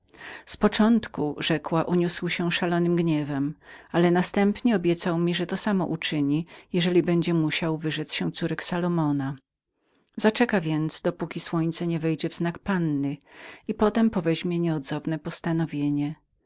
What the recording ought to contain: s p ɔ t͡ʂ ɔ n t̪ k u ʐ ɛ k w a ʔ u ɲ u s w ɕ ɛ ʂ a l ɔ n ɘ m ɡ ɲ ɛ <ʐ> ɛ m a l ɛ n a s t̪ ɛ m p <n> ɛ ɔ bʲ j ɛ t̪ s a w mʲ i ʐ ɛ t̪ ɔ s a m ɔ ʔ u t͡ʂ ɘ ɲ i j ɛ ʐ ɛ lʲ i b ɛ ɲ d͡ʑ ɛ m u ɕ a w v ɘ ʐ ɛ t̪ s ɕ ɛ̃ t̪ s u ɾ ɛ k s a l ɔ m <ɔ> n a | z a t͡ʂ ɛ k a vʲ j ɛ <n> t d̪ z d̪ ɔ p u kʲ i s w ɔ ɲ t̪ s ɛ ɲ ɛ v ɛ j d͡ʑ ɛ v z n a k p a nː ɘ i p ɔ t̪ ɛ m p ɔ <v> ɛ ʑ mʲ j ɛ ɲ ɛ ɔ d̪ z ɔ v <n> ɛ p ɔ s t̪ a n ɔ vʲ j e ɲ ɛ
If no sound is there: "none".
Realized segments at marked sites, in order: v, ɲ, ɔ, n, v, n

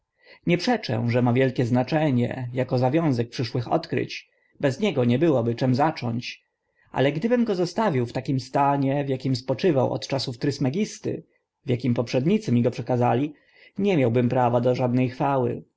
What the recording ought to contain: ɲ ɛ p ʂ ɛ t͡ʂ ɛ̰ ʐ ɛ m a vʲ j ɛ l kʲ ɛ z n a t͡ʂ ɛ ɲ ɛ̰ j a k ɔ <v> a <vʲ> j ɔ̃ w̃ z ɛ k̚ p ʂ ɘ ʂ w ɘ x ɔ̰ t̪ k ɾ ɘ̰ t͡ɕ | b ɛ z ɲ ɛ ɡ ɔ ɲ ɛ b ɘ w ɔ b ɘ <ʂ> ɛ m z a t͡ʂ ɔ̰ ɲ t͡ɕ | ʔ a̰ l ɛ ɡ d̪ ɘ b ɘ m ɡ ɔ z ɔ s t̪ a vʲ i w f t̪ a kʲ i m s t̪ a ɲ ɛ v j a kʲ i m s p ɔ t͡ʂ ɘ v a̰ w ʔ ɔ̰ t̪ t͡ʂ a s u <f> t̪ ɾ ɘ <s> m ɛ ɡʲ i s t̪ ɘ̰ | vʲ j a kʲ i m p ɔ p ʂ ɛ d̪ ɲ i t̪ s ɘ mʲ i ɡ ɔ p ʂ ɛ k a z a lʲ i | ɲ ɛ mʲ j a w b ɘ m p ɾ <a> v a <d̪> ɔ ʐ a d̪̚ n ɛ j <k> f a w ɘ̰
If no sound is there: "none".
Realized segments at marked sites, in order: z, vʲ, t͡ʂ, f, s, a, d̪, x

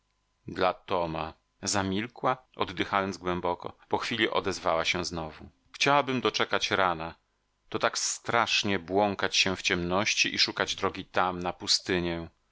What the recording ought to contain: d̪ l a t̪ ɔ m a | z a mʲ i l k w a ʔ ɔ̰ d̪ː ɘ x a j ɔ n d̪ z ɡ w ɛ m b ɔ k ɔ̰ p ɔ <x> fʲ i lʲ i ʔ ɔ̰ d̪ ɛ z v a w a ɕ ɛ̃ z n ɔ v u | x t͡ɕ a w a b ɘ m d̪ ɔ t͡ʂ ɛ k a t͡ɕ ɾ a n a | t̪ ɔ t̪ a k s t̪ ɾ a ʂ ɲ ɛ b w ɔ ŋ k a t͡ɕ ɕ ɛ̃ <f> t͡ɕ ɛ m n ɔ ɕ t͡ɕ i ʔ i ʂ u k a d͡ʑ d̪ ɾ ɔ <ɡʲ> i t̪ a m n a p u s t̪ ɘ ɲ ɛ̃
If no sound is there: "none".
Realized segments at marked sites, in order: x, f, ɡʲ

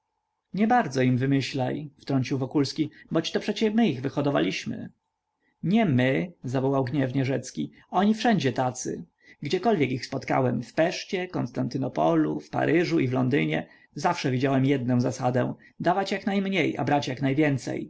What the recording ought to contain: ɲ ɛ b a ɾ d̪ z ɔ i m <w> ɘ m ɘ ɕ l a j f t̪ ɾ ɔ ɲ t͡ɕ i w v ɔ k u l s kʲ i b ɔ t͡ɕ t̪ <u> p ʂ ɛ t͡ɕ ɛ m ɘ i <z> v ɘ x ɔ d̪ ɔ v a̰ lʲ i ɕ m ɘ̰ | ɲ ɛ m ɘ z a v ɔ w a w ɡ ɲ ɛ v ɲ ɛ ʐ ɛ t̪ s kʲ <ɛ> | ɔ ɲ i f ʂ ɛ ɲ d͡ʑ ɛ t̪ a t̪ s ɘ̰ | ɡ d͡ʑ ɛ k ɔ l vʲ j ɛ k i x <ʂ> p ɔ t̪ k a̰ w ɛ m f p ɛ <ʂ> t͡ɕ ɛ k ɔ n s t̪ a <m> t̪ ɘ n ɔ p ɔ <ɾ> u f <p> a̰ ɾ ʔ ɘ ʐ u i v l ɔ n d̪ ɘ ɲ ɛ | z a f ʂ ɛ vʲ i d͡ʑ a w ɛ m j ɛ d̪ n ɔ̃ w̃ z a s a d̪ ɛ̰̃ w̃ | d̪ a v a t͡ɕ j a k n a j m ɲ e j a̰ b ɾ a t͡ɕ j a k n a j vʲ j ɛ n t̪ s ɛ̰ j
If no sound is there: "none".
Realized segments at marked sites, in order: v, ɔ, ɣ, i, s, ʂ, n, l, p

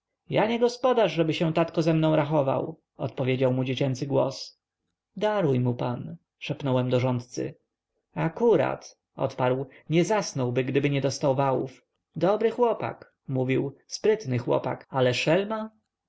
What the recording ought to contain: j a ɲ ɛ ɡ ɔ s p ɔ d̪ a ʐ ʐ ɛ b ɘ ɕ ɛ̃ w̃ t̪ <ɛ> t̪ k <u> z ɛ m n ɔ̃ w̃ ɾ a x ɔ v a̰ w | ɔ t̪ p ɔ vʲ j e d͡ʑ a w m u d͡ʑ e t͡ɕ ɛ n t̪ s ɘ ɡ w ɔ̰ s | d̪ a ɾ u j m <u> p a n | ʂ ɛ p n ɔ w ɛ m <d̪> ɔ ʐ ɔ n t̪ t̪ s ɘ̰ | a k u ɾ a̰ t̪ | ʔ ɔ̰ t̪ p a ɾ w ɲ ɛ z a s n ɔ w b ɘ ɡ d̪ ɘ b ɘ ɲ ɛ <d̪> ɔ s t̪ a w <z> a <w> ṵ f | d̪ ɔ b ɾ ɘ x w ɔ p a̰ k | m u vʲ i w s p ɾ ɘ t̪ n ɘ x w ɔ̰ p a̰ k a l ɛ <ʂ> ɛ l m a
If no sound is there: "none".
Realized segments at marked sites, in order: a, ɔ, u, d̪, d̪, v, w, ʂ

